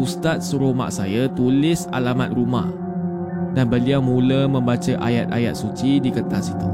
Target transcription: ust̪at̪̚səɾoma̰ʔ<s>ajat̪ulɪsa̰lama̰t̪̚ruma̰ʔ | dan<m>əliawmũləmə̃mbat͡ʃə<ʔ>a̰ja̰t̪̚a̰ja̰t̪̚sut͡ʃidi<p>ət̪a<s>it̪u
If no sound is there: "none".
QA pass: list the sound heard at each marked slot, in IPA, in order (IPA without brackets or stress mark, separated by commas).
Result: s, b, ʔ, k, s